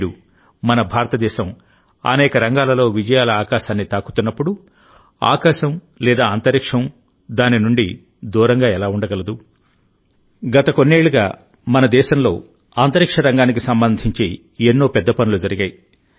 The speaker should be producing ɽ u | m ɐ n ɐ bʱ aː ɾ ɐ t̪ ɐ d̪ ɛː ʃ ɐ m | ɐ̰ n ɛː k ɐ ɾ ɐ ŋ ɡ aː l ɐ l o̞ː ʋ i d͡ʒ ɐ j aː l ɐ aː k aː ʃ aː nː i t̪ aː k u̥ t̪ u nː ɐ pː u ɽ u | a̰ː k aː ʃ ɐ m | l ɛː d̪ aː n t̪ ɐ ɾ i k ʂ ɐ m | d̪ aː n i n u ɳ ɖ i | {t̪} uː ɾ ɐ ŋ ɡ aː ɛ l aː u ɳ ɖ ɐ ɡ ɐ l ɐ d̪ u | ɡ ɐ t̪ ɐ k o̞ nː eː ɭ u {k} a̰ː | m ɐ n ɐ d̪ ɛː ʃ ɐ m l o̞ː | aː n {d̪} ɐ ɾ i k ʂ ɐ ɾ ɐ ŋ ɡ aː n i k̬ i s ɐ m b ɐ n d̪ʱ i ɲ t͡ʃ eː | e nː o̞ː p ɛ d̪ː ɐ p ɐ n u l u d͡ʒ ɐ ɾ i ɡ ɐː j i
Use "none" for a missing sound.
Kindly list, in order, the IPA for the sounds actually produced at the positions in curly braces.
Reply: d̪, ɡ, t̪

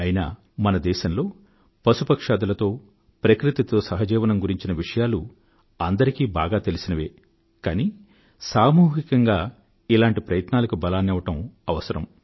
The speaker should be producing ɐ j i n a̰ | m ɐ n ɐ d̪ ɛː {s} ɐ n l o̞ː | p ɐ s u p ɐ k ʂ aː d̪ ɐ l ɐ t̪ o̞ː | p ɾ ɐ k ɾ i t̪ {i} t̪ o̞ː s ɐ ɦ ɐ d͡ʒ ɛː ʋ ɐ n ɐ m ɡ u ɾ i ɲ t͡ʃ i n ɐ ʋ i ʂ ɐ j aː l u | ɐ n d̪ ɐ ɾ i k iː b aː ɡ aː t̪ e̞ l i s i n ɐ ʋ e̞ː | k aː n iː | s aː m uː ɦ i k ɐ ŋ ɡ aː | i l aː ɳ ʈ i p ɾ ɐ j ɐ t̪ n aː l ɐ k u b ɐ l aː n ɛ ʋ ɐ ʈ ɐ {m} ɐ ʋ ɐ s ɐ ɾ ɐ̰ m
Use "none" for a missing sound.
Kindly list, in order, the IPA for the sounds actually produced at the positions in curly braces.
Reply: ʃ, i, m

